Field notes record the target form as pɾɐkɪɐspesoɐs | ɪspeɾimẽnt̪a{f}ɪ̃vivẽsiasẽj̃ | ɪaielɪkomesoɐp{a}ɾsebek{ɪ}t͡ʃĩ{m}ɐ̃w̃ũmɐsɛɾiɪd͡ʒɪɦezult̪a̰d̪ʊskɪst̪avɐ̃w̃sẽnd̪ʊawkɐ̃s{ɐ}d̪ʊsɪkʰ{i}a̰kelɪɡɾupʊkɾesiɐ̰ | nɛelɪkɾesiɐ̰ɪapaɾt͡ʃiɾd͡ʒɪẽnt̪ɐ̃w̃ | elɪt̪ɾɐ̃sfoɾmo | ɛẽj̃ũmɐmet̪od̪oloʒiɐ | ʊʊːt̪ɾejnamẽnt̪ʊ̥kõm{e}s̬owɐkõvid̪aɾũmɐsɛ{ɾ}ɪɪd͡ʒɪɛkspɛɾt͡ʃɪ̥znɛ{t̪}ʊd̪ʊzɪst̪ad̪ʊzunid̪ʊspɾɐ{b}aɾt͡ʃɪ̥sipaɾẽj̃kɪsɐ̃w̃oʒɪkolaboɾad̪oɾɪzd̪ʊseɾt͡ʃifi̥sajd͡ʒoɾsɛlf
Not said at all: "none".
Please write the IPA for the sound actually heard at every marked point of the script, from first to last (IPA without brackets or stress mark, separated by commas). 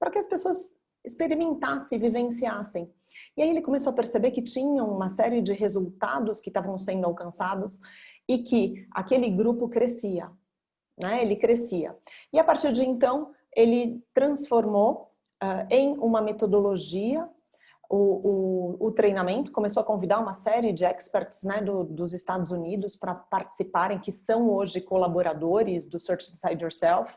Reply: s, e, ɪ, ɲ, a, ɪ, e, ɾ, d̪, p